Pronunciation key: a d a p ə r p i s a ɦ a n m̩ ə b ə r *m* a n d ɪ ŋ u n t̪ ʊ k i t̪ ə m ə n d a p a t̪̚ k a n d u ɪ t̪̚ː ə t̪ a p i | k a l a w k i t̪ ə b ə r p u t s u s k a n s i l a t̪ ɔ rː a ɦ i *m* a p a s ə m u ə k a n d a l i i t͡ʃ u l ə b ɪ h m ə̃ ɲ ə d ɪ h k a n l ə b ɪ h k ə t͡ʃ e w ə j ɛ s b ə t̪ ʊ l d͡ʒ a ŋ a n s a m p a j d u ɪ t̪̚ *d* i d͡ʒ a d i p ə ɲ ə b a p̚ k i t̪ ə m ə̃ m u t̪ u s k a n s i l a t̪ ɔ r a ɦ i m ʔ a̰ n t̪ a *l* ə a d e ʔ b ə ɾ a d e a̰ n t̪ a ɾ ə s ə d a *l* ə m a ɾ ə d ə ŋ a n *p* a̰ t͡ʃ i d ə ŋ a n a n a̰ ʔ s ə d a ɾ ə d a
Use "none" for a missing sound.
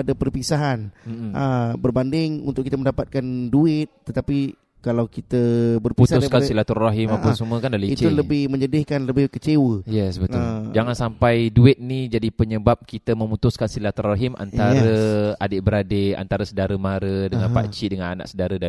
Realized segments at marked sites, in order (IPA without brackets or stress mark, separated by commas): b, m, n, ɾ, ɾ, p